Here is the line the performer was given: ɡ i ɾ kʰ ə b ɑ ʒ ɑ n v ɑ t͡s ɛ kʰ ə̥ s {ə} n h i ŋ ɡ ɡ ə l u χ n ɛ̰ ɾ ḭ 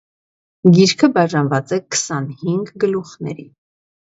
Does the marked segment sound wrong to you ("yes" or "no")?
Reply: yes